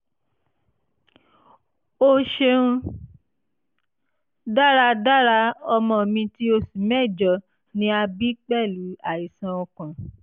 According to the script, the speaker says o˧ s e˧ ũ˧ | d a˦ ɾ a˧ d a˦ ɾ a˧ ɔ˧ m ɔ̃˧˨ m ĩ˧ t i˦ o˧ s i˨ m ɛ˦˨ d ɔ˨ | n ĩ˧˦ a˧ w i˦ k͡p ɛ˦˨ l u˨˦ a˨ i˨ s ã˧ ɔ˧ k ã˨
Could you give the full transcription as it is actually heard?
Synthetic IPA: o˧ ʃ e˧ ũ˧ | d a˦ ɾ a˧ d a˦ ɾ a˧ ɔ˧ m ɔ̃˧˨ m ĩ˧ t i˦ o˧ s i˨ m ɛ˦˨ d͡ʒ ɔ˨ | n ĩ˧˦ a˧ b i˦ k͡p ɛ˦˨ l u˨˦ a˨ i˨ s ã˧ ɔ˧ k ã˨